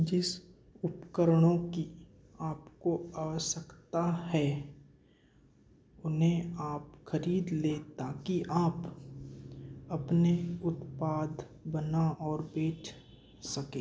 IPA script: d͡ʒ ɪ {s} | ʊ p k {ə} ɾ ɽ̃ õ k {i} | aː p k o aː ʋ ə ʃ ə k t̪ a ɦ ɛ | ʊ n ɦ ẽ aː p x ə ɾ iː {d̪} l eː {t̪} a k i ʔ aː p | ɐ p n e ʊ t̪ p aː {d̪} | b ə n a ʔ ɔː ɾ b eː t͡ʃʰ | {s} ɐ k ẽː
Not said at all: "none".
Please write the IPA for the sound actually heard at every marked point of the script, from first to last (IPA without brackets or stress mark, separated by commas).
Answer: s, ə, i, d̪, t̪, d̪, s